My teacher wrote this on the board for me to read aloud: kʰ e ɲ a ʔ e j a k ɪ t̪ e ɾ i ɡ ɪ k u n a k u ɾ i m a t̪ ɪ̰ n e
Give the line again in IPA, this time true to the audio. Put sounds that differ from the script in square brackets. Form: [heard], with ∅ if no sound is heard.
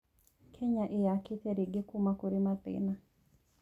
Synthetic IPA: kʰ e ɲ a ʔ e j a k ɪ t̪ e ɾ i ɡ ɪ k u [m] a k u ɾ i m a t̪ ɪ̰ n [a]

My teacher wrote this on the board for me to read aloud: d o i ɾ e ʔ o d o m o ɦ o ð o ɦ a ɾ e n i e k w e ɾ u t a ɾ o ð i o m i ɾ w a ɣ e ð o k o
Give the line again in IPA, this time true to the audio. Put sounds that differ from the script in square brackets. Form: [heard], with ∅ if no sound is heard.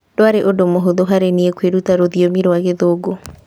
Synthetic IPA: d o [a] ɾ e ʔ o d o m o ɦ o ð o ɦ a ɾ e n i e k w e ɾ u t a ɾ o ð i o m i ɾ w a ɣ e ð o [ɡ] o

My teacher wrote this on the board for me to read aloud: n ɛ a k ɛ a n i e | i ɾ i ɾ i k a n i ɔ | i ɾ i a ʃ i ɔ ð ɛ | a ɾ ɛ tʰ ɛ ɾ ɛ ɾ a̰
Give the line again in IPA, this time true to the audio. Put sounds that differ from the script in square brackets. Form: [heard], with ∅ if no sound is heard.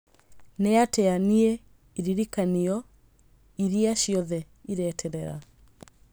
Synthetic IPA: n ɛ a [t] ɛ a n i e | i ɾ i ɾ i k a n i ɔ | i ɾ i a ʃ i ɔ ð ɛ | [i] ɾ ɛ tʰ ɛ ɾ ɛ ɾ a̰

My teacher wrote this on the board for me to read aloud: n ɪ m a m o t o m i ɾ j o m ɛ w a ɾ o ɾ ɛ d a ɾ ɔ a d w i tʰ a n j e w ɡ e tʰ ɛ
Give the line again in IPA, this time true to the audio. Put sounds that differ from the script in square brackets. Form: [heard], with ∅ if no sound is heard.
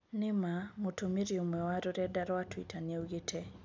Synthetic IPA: n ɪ m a m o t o m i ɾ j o m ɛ w a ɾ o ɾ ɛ d a ɾ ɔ a [t] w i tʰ a n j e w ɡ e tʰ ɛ

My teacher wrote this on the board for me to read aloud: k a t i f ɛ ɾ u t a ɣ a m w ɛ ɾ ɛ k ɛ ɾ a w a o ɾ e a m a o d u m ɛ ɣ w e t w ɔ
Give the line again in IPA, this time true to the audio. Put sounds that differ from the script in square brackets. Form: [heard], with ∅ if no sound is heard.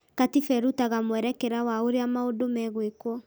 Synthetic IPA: k a t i f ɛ ɾ u t a ɣ a m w ɛ ɾ ɛ k ɛ ɾ a w a o ɾ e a m a o d [o] m ɛ ɣ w e [k] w ɔ

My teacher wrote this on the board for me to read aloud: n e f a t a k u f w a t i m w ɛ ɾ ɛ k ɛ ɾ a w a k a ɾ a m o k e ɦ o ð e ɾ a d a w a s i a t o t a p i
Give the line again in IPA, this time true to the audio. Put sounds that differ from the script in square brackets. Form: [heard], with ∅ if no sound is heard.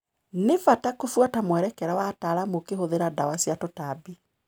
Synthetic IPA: n e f a t a k [o] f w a t [a] m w ɛ ɾ ɛ k ɛ ɾ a w a [t] a ɾ a m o k e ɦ o ð e ɾ a d a w a s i a t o t a [b] i

